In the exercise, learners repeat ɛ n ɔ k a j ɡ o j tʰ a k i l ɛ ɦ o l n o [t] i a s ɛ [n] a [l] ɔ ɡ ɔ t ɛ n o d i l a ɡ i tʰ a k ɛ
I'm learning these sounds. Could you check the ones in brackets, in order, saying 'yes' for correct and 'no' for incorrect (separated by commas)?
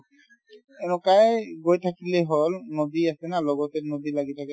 no, yes, yes